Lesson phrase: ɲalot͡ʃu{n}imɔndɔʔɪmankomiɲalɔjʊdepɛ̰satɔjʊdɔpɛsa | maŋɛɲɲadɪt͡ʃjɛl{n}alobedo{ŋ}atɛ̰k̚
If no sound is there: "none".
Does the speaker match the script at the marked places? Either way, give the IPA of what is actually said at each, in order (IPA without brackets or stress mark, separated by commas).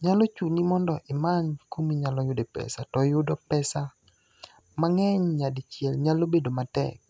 n, ɲ, m